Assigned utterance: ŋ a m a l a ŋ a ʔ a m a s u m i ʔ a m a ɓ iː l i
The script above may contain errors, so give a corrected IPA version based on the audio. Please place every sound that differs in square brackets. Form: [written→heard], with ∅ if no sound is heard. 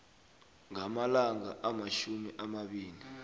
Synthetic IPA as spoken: ŋ a m a l a ŋ a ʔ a m a [s→ʃ] u m i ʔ a m a ɓ iː l i

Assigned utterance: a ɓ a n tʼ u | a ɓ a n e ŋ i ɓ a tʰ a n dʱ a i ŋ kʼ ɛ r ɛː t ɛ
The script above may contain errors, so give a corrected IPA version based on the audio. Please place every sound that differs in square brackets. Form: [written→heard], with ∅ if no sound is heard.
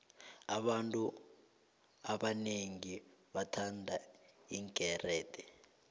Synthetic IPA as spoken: a ɓ a n tʼ u | a ɓ a n e ŋ i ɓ a tʰ a n dʱ a i ŋ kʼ ɛ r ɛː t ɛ

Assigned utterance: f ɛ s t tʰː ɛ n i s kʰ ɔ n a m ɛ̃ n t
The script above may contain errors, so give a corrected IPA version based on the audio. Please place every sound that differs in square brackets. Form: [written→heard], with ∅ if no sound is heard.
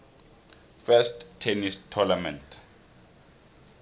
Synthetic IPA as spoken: f ɛ s t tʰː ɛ n i s [kʰ→tʰ] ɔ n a m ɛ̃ n t

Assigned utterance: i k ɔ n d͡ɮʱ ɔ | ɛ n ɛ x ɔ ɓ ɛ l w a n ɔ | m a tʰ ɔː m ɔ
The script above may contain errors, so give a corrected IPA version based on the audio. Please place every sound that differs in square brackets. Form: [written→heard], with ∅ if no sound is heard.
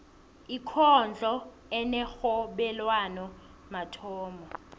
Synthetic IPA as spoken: i [k→kʰ] ɔ n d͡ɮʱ ɔ | ɛ n ɛ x ɔ ɓ ɛ l w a n ɔ | m a tʰ ɔː m ɔ

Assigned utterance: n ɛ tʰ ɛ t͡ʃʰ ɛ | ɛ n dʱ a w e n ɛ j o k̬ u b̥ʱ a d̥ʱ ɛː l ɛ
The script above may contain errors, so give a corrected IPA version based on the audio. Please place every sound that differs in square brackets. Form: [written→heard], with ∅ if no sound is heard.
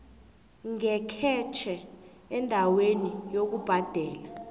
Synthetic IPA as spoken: [n→ŋ] ɛ [tʰ→kʰ] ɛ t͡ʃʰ ɛ | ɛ n dʱ a w e n [ɛ→i] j o k̬ u b̥ʱ a d̥ʱ ɛː l [ɛ→a]

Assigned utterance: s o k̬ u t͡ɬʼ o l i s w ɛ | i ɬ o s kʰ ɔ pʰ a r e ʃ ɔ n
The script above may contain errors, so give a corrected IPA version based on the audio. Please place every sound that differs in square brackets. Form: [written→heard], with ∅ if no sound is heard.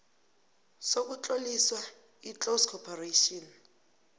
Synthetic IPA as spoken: s o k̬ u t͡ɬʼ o l i s w [ɛ→a] | i [ɬ→t͡ɬ] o s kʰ ɔ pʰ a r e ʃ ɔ n

